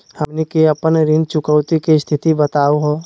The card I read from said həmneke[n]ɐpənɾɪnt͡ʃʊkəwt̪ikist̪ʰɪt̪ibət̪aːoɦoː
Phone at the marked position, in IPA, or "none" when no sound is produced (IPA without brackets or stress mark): none